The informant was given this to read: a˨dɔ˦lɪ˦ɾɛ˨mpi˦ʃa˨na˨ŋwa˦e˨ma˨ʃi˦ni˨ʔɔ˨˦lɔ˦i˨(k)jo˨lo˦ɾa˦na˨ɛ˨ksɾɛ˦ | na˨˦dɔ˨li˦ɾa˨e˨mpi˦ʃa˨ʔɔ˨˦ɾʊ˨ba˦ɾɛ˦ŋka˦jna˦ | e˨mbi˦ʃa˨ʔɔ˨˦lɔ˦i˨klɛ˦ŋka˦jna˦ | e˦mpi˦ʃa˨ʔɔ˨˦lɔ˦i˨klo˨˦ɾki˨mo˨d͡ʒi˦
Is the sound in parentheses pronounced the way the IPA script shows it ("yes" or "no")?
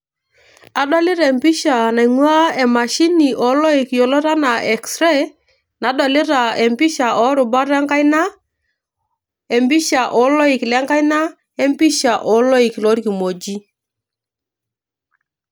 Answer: yes